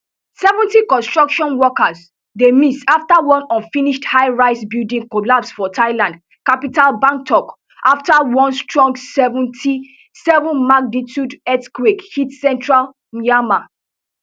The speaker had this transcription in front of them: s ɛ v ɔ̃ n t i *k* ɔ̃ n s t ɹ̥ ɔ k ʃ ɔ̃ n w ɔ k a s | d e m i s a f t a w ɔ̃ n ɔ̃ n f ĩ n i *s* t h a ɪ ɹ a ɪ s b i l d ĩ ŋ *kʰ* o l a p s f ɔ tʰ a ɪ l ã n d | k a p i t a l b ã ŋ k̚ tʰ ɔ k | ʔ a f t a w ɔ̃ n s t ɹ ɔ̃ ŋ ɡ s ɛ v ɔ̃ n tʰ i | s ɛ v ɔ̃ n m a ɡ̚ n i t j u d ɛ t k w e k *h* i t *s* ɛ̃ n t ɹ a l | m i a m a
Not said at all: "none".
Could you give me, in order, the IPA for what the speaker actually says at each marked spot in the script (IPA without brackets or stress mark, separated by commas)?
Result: k, ʃ, k, h, s